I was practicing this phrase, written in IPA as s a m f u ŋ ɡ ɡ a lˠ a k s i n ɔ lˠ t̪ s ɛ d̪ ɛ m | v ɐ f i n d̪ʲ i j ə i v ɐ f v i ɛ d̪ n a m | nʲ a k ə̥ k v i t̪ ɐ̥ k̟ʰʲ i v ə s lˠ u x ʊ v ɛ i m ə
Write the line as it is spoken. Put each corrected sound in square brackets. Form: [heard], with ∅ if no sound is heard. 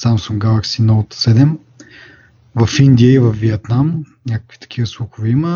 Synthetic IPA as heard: s a m [s] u ŋ ɡ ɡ a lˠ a k s i n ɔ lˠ t̪ s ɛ d̪ ɛ m | v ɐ f i n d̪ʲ i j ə i v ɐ f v i ɛ [t̪] n a m | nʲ a k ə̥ k v i t̪ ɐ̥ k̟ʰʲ i v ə s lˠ u x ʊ v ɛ i m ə